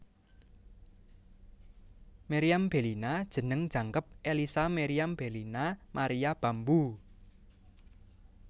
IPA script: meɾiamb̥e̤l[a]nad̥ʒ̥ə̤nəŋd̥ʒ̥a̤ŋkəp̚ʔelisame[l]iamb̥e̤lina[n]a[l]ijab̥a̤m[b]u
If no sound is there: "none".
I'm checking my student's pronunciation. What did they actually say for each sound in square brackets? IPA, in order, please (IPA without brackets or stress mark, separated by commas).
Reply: i, ɾ, m, ɾ, b